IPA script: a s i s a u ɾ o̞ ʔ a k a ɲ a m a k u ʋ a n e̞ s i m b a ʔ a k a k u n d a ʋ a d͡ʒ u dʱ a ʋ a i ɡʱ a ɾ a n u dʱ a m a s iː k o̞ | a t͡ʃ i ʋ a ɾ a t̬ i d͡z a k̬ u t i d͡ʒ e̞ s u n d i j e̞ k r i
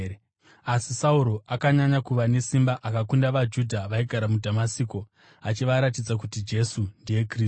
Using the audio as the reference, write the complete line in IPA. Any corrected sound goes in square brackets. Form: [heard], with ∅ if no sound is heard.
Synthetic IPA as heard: a s i s a u ɾ o̞ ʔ a k a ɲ a [ɲ] a k u ʋ a n e̞ s i m b a ʔ a k a k u n d a ʋ a d͡ʒ u dʱ a ʋ a i ɡʱ a ɾ a [m] u dʱ a m a s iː k o̞ | a t͡ʃ i ʋ a ɾ a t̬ i d͡z a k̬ u t i d͡ʒ e̞ s u n d i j e̞ k r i